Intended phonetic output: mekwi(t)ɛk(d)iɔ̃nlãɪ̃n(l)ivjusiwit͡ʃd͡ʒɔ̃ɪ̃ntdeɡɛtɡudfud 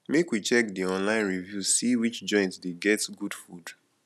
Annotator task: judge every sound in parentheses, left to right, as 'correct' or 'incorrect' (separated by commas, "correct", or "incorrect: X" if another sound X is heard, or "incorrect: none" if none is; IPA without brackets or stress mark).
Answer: incorrect: t͡ʃ, correct, incorrect: ɹ